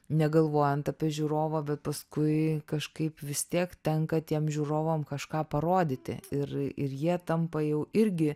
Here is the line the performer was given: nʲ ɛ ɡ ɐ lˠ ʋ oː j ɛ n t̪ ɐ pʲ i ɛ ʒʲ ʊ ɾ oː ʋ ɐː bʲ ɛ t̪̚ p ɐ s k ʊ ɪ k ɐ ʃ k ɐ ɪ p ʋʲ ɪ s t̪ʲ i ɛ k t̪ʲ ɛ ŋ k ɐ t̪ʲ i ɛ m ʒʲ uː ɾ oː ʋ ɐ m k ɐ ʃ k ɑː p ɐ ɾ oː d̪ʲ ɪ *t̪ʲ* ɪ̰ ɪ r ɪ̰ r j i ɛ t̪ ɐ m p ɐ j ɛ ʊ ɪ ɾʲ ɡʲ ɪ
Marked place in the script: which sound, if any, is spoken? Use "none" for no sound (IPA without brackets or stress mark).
t̪ʲ